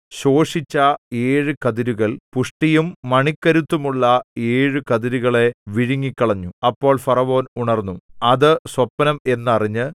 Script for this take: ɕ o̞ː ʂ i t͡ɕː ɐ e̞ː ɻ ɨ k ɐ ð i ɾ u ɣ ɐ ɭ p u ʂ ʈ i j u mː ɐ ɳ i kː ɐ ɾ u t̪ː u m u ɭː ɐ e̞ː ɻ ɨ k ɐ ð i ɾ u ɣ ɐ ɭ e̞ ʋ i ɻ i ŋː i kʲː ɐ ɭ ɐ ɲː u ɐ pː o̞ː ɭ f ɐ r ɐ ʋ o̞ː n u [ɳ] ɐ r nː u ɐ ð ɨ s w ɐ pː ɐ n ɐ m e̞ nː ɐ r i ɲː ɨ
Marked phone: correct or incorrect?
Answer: correct